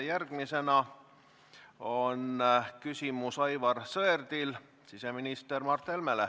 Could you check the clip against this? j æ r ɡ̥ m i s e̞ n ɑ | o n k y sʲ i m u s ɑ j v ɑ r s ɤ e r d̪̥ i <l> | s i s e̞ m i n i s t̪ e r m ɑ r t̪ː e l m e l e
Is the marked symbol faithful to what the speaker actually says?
yes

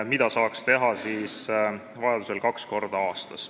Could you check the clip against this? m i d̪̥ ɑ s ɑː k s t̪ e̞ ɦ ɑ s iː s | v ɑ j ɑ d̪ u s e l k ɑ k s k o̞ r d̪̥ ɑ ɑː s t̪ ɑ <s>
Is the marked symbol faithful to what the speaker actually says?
yes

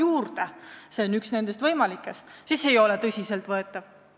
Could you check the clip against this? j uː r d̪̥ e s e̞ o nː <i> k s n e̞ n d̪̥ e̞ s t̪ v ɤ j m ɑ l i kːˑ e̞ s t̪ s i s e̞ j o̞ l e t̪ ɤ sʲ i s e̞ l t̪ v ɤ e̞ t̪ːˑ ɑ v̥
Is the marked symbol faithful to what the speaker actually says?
no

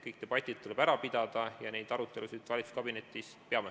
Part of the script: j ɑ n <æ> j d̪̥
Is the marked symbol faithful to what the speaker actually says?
no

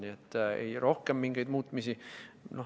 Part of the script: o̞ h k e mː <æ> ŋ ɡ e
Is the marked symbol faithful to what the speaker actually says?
no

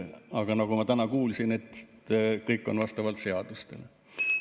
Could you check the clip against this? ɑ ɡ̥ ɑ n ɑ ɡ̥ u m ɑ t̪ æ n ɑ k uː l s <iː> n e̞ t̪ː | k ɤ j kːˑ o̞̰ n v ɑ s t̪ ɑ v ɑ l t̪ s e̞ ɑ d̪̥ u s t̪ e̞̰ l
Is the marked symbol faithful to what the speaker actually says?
no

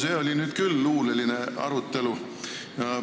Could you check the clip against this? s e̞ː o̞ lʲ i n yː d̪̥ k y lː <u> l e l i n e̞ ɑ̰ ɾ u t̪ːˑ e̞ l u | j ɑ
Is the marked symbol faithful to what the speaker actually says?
no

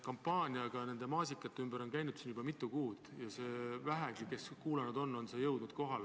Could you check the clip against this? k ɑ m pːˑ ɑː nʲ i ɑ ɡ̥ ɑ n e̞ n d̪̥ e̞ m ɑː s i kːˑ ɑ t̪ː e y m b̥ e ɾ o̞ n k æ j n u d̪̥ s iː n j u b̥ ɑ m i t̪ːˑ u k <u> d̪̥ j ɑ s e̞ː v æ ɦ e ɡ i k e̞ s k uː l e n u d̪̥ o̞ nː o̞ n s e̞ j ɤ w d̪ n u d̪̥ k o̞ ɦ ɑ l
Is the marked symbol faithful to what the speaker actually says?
no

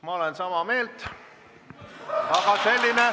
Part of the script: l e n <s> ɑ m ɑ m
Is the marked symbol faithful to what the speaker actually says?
yes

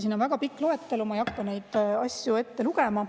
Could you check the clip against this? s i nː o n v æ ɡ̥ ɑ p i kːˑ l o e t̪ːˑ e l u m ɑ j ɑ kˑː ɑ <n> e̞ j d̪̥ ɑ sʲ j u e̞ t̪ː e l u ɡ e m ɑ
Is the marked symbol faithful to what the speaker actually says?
yes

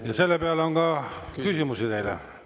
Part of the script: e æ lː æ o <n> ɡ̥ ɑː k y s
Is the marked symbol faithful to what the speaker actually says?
no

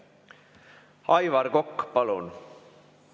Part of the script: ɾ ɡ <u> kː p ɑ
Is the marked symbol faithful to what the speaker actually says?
no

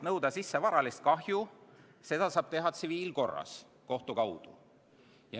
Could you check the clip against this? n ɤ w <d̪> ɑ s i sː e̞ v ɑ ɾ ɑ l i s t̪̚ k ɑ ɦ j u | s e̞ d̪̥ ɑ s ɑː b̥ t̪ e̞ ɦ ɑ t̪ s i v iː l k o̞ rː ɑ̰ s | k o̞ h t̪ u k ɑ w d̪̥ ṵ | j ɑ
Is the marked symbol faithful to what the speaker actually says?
yes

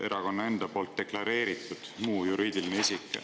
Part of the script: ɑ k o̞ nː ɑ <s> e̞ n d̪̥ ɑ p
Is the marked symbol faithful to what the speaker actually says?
no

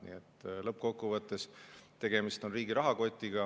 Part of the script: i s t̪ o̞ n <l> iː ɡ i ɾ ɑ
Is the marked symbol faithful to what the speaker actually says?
no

